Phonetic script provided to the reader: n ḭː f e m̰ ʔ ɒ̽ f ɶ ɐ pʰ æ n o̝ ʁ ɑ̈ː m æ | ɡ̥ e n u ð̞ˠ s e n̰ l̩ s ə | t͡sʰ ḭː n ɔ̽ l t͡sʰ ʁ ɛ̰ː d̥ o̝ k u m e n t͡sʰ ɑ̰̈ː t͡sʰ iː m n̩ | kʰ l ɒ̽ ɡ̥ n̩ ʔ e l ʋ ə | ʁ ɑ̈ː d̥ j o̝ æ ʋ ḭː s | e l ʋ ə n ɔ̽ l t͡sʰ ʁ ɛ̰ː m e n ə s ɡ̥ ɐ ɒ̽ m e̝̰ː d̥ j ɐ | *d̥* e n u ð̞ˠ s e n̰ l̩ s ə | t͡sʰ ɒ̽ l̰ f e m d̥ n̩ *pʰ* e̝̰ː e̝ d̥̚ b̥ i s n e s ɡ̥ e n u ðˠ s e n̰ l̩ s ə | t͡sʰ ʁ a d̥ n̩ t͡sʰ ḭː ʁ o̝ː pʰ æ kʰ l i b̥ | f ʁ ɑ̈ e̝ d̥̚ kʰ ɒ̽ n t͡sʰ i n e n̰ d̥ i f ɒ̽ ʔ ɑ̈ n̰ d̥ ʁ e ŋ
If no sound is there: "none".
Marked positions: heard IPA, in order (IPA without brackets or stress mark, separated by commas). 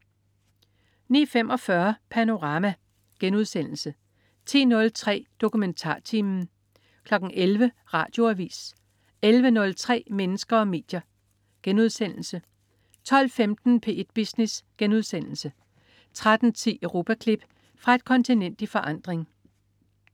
ɡ̥, pʰ